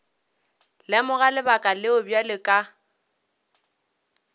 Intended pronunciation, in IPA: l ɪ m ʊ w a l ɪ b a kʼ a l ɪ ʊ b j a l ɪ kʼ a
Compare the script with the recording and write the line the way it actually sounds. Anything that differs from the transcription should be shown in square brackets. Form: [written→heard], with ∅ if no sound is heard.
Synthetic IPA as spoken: l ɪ m ʊ [w→ɣ] a l ɪ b a kʼ a l ɪ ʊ b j a l ɪ kʼ a